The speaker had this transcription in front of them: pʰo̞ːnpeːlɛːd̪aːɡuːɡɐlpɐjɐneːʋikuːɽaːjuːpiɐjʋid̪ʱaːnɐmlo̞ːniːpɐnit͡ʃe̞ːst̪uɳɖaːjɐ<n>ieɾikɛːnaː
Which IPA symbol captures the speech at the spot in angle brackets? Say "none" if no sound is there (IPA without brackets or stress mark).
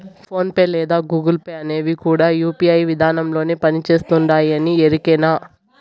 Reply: n